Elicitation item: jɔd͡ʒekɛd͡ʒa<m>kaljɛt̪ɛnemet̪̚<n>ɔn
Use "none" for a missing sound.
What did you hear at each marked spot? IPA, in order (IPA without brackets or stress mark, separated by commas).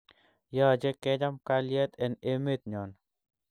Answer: m, ɲ